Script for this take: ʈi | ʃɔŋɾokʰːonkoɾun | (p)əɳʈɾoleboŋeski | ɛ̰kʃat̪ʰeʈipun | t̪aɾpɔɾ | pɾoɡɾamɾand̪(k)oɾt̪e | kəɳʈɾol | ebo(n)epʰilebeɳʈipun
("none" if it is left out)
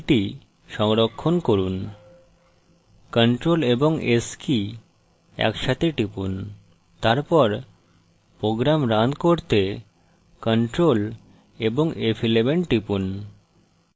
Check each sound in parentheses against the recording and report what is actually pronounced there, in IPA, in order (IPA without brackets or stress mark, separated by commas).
k, k, ŋ